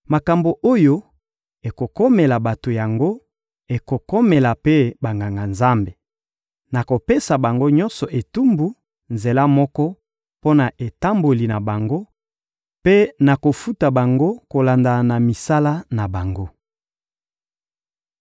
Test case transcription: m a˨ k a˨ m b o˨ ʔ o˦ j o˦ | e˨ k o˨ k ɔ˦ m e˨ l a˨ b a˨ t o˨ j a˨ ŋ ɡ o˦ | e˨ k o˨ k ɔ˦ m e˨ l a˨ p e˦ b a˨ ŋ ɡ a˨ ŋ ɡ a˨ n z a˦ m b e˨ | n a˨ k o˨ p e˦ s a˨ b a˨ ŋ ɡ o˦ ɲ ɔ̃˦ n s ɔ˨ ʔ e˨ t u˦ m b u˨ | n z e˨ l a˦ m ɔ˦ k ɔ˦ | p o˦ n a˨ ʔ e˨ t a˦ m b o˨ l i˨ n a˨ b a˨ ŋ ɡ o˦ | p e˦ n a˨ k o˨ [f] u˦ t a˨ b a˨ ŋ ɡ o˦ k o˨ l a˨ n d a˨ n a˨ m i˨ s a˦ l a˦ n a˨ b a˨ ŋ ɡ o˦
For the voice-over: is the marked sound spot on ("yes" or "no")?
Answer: yes